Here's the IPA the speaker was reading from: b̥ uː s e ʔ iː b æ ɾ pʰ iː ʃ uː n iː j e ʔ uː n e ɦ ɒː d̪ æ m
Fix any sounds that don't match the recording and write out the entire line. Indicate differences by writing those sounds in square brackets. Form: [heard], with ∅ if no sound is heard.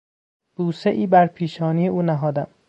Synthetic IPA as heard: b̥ uː s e ʔ iː b æ ɾ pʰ iː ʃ [ɒː] n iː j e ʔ uː n [æ] ɦ ɒː d̪ æ m